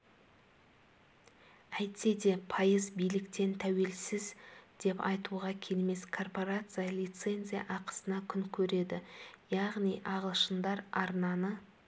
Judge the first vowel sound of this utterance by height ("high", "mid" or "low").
low